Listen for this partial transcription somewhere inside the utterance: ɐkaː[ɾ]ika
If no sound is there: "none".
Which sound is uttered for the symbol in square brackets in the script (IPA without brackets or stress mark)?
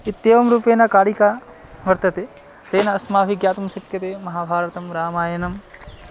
ɽ